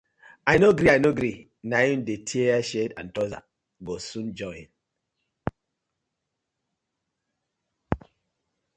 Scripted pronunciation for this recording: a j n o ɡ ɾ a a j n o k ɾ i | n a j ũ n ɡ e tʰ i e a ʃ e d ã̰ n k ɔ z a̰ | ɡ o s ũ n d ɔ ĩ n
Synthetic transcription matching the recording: a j n o ɡ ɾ i a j n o ɡ ɾ i | n a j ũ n d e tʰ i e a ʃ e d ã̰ n t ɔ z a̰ | ɡ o s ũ n d͡ʒ ɔ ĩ n